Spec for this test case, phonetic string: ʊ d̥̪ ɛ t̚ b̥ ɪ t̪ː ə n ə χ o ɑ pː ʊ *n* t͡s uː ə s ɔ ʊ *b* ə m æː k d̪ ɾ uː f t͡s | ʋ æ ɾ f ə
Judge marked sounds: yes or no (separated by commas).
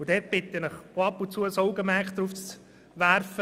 yes, no